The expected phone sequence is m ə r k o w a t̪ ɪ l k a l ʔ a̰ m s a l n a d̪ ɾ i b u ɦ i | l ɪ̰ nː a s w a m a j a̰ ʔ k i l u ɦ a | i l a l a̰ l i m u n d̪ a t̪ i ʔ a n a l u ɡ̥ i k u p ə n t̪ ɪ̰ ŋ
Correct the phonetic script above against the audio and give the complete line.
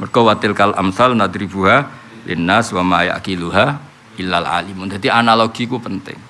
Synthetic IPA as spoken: m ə r k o w a t̪ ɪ l k a l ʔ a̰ m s a l n a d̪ ɾ i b u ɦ a | l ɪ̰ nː a s w a m a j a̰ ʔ k i l u ɦ a | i l a l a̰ l i m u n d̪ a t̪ i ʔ a n a l o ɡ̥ i k u p ə n t̪ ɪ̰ ŋ